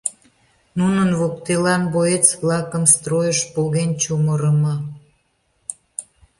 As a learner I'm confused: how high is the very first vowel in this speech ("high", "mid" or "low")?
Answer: high